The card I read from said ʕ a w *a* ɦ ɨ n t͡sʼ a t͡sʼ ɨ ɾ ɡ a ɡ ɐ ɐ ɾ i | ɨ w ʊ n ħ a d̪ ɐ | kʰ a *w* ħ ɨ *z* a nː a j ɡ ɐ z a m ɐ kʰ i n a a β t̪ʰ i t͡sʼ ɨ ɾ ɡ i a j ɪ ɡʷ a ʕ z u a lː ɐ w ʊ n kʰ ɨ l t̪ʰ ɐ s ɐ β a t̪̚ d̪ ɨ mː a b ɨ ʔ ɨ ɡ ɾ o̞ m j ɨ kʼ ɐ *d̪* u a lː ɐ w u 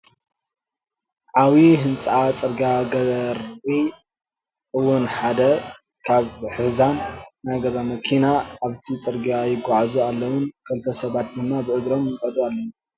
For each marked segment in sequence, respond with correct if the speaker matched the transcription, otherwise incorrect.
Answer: incorrect: i, incorrect: β, correct, correct

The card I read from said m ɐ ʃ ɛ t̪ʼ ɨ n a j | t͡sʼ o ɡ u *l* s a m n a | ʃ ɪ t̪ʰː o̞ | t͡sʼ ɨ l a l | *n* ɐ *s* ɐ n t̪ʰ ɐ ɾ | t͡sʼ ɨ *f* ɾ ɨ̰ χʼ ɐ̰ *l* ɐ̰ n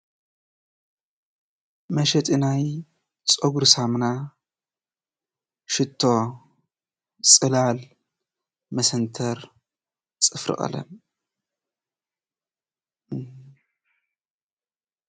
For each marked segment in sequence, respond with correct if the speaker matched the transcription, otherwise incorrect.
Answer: incorrect: ɾ, incorrect: m, correct, correct, correct

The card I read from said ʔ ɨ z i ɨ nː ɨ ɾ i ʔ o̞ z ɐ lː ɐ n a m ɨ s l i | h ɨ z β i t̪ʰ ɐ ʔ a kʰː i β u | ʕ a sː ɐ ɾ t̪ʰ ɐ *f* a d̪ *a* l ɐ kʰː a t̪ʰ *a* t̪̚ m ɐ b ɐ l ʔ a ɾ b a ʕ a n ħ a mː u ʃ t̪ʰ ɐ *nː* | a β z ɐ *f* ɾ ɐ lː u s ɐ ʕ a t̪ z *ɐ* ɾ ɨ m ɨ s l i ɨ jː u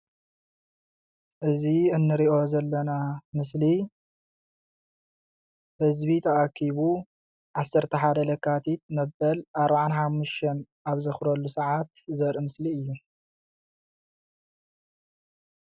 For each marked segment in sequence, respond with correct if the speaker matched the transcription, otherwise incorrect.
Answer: incorrect: ħ, incorrect: ɐ, incorrect: i, incorrect: n, incorrect: x, correct

